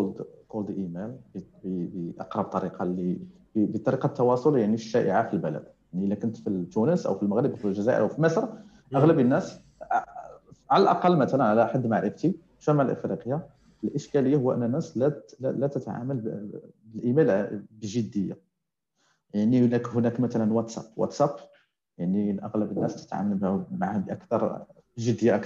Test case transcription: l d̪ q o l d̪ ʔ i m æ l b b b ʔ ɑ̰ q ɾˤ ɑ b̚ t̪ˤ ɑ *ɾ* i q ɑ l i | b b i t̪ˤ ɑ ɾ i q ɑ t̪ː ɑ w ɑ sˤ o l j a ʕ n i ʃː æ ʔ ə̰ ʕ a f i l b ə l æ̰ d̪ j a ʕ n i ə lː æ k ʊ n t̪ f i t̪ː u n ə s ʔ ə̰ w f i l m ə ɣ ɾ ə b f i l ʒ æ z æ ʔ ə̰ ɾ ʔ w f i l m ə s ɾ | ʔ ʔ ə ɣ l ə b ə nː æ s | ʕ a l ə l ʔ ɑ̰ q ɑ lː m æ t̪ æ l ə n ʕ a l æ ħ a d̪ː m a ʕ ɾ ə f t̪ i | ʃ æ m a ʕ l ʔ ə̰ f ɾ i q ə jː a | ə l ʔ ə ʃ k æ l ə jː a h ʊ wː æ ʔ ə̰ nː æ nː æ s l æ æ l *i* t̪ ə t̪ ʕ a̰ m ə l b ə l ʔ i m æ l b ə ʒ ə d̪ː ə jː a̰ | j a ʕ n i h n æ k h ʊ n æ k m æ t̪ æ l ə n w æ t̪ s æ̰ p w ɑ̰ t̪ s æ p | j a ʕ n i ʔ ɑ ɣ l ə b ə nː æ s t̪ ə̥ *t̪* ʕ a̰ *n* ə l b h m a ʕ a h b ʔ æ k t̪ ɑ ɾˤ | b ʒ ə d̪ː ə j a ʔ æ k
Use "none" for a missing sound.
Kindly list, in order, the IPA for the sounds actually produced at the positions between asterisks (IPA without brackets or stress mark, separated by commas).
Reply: ɾ, æ, t̪, m